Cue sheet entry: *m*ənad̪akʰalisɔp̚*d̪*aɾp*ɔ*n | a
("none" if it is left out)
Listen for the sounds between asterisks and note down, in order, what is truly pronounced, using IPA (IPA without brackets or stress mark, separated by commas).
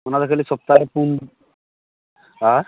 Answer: m, t̪, u